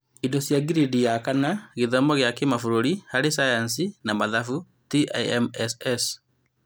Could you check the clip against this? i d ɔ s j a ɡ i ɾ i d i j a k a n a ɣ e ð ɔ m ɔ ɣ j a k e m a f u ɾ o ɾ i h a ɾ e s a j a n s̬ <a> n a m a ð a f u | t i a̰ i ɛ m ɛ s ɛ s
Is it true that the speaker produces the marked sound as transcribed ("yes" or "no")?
no